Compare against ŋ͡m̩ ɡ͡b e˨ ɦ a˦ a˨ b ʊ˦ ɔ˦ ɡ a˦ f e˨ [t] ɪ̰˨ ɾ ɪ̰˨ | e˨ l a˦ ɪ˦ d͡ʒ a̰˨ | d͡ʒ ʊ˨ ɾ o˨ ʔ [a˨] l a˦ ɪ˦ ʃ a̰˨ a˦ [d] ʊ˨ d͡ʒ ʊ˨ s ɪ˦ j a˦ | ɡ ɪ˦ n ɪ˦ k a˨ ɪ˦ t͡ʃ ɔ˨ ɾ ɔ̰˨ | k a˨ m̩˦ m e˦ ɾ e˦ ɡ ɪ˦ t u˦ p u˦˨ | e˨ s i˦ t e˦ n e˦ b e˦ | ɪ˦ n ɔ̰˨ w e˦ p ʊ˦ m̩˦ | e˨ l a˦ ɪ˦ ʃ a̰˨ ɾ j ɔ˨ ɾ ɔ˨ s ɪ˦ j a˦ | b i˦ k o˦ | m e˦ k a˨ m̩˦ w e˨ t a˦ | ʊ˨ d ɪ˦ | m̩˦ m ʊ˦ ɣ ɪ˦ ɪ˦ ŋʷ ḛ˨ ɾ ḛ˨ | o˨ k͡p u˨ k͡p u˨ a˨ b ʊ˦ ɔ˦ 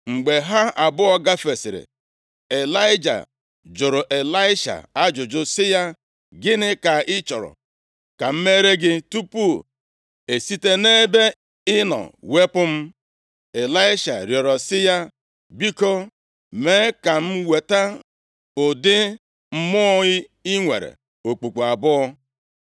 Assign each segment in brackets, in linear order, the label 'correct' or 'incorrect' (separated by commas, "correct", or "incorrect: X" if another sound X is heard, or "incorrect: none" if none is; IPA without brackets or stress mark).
incorrect: s, incorrect: e˨, incorrect: d͡ʒ